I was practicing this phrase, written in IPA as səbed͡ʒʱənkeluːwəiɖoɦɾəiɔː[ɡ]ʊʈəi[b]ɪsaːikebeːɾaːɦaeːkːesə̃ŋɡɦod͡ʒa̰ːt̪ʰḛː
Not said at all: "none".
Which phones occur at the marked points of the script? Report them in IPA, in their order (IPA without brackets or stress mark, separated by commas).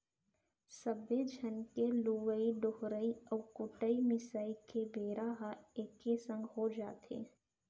k, m